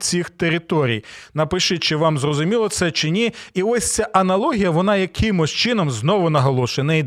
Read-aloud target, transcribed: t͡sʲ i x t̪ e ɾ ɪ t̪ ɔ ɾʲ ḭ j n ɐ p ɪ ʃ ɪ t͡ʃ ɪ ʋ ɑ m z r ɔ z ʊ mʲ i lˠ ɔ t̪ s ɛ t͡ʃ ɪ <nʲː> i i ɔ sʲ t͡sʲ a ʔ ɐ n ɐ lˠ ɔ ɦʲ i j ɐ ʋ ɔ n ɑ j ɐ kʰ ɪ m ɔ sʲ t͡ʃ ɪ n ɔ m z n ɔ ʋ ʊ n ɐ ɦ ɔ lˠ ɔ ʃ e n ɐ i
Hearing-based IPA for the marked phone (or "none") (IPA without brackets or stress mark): nʲ